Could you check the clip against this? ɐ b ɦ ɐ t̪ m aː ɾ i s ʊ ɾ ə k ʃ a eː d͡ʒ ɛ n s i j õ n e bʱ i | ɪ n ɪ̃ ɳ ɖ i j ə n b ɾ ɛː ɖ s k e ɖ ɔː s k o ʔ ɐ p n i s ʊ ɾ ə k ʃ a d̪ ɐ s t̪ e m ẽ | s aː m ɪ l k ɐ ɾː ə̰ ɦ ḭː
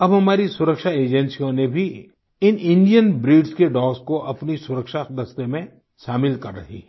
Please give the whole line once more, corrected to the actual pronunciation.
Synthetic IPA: ɐ b ɦ ɐ m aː ɾ i s ʊ ɾ ə k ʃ a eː d͡ʒ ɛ n s i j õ n e bʱ i | ɪ n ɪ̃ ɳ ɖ i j ə n b ɾ iː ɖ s k e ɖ ɔː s k o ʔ ɐ p n i s ʊ ɾ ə k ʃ a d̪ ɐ s t̪ e m ẽ | ʃ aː m ɪ l k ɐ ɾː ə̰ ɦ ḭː